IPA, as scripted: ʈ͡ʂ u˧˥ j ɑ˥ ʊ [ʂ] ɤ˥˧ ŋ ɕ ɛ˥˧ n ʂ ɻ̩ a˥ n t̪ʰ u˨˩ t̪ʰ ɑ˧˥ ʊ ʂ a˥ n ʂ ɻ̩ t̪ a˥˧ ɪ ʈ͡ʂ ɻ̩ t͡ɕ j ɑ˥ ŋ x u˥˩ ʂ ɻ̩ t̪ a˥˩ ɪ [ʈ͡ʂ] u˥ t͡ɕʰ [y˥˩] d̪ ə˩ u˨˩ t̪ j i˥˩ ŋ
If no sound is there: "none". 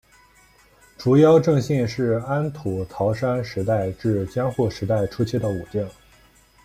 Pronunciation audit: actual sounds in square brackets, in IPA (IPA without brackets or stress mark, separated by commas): ʈ͡ʂ, ʈ͡ʂʰ, i˥˩